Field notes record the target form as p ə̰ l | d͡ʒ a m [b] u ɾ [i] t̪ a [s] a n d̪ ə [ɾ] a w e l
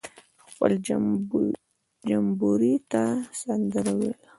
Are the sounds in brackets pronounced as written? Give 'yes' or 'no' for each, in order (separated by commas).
yes, yes, yes, yes